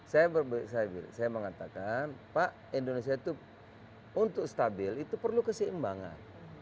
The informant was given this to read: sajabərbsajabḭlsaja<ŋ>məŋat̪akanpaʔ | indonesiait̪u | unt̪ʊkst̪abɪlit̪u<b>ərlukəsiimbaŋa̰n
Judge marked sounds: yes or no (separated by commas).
no, no